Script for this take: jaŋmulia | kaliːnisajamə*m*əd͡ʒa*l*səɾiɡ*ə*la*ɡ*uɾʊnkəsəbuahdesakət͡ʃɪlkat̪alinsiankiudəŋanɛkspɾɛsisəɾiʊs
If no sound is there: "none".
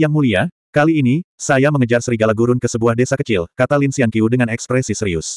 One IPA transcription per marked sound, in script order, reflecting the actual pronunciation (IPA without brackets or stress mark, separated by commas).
ŋ, r, a, ɡ